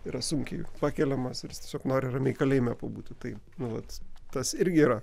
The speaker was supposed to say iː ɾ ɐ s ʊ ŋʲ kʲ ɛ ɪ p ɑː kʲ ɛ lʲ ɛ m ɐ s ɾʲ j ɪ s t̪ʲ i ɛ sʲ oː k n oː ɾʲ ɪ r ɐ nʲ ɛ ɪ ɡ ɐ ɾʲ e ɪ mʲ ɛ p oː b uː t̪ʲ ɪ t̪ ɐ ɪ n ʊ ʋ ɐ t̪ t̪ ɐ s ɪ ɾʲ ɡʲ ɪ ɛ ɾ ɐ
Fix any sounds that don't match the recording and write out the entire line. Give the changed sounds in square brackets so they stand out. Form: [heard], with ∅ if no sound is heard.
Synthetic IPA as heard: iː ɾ ɐ s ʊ ŋʲ kʲ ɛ ɪ p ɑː kʲ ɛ lʲ ɛ m ɐ s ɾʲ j ɪ s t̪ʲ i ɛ sʲ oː k n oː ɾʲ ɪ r ɐ [mʲ] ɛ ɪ [k] ɐ [lʲ] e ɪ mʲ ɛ p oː b uː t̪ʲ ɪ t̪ ɐ ɪ n ʊ ʋ ɐ t̪ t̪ ɐ s ɪ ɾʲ ɡʲ ɪ [i] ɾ ɐ